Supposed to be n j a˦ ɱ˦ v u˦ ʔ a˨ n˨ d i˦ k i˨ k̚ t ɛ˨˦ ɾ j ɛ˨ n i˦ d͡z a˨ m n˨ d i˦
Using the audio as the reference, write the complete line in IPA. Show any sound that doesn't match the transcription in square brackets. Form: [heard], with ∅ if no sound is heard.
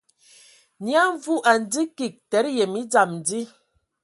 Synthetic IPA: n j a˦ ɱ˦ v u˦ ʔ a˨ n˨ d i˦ k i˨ k̚ t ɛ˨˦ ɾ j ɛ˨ [m] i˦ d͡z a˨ m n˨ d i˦